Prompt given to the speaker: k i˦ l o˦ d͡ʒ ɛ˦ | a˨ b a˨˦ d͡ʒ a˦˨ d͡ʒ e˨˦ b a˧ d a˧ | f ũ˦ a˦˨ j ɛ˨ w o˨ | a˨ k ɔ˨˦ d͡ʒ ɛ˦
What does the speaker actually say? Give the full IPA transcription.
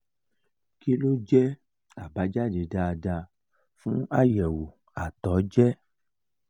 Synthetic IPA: k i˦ l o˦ d͡ʒ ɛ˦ | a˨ b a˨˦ d͡ʒ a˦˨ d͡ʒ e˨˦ d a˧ d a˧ | f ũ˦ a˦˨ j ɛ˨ w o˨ | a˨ t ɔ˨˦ d͡ʒ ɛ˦